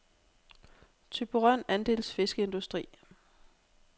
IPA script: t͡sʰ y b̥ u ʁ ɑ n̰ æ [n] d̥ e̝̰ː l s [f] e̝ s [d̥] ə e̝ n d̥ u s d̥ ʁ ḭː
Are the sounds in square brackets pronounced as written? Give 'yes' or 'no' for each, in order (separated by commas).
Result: yes, yes, no